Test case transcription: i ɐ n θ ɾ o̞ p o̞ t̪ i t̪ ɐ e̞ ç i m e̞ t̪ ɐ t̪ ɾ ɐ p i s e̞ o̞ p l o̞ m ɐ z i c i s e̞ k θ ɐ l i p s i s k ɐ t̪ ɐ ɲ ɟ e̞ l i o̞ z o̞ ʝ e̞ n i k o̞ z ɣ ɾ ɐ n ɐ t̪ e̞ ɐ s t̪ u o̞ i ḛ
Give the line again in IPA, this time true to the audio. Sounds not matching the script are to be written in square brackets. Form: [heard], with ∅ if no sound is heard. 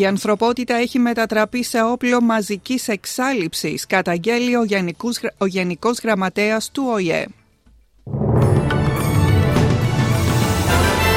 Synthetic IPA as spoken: i ɐ n θ ɾ o̞ p o̞ t̪ i t̪ ɐ e̞ ç i m e̞ t̪ ɐ t̪ ɾ ɐ p i s e̞ o̞ p l o̞ m ɐ z i c i s e̞ k [s] ɐ l i p s i s k ɐ t̪ ɐ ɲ ɟ e̞ l i o̞ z o̞ ʝ e̞ n i k o̞ z ɣ ɾ ɐ [m] ɐ t̪ e̞ ɐ s t̪ u o̞ i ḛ